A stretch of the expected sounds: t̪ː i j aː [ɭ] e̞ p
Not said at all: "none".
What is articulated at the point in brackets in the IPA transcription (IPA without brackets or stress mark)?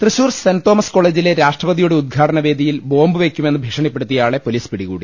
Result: ɭ